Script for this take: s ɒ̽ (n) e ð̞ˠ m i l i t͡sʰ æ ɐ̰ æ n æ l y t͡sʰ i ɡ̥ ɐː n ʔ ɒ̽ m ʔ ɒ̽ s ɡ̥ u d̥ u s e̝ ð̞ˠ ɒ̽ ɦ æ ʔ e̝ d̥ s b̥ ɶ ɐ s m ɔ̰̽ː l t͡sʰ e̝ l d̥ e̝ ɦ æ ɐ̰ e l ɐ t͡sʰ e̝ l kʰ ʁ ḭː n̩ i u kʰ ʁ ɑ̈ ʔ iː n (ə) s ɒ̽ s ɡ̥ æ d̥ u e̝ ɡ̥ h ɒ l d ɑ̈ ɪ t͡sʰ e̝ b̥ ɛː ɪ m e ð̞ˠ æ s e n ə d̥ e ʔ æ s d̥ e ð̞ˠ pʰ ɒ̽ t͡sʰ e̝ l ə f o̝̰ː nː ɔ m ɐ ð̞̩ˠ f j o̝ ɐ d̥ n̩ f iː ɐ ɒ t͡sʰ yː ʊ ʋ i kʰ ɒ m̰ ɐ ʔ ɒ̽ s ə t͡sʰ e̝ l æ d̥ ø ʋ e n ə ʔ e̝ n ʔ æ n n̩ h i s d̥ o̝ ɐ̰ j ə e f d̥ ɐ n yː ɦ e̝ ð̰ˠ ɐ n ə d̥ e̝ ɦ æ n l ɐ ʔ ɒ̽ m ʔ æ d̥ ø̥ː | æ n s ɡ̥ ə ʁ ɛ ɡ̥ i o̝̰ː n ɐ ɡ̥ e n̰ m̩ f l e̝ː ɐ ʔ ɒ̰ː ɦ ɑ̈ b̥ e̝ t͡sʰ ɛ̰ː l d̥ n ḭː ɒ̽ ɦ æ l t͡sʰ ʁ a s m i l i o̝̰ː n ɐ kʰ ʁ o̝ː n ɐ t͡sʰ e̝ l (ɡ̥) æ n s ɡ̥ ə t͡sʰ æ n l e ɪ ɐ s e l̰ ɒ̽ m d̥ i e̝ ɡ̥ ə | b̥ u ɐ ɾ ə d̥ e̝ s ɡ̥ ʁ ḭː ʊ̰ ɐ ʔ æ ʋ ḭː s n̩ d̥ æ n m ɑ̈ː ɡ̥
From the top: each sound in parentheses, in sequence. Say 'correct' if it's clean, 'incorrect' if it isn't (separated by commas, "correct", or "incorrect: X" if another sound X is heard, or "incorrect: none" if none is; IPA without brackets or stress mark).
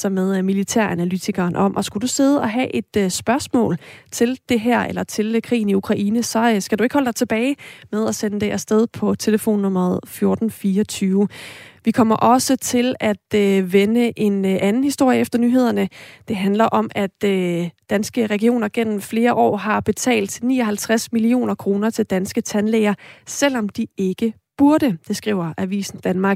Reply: incorrect: m, correct, incorrect: d̥